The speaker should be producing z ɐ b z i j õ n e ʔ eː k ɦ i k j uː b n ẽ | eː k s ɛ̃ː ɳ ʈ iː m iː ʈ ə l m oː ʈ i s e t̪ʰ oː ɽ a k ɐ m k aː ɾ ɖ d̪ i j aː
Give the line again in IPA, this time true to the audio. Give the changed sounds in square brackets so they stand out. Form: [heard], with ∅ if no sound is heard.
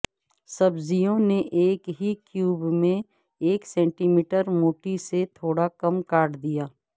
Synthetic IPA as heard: [s] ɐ b z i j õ n e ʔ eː k ɦ i k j uː b [m] ẽ | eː k s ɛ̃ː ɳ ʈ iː m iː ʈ ə [ɾ] m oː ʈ i s e t̪ʰ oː ɽ a k ɐ m k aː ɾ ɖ d̪ i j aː